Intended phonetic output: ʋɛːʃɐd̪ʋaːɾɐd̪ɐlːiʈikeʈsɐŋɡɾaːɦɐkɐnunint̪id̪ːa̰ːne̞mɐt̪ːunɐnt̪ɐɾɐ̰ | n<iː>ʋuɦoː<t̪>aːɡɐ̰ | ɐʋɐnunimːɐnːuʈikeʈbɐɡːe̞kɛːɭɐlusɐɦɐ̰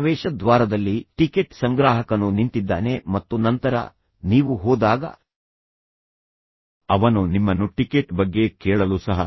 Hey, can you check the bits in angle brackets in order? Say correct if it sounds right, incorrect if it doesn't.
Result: correct, incorrect: d̪

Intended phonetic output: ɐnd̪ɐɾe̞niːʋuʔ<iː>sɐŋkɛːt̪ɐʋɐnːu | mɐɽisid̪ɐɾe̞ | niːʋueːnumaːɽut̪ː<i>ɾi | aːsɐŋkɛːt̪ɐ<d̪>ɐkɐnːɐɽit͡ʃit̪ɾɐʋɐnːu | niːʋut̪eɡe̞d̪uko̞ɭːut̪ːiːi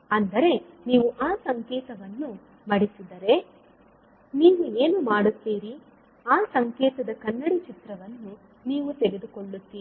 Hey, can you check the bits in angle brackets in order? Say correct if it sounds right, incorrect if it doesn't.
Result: incorrect: aː, incorrect: iː, correct

